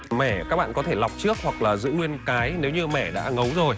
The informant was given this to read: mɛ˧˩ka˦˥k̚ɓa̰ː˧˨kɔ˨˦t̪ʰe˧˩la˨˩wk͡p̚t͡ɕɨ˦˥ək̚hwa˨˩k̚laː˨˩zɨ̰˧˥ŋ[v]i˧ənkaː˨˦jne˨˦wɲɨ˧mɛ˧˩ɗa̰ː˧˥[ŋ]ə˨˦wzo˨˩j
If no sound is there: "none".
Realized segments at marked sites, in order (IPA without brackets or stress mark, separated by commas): w, ŋ